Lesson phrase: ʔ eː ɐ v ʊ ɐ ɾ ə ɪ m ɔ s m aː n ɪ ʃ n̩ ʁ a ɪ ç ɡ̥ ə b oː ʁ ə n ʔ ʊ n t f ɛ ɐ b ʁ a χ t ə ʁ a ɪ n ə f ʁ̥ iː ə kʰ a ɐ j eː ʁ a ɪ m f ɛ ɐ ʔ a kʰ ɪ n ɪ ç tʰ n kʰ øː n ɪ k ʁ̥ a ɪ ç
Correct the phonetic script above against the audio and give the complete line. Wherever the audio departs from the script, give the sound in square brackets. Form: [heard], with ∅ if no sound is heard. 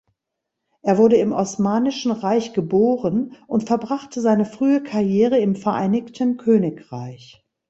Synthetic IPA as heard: ʔ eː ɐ v ʊ ɐ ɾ ə ɪ m ɔ s m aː n ɪ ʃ n̩ ʁ a ɪ ç ɡ̥ ə b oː ʁ ə n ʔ ʊ n t f ɛ ɐ b ʁ a χ t ə [z] a ɪ n ə f ʁ̥ [yː] ə kʰ a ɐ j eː ʁ [ə] ɪ m f ɛ ɐ ʔ a [∅] ɪ n ɪ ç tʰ n kʰ øː n ɪ k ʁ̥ a ɪ ç